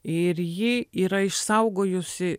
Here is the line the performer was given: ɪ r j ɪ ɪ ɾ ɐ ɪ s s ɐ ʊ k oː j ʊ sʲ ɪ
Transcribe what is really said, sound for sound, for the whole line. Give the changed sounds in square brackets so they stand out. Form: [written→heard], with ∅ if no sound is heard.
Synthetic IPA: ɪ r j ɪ [ɪ→i] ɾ ɐ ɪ [s→ʃ] s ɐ ʊ [k→ɡ] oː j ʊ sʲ ɪ